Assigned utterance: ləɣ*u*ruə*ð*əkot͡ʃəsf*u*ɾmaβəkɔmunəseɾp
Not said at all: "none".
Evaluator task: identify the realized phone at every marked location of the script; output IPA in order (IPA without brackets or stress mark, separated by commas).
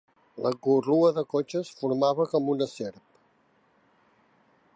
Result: u, ð, u